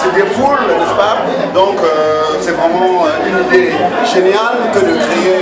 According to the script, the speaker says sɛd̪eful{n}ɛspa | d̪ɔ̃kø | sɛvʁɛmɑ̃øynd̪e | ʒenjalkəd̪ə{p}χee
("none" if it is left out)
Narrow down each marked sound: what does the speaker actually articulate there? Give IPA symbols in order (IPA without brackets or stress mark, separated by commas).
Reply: n, k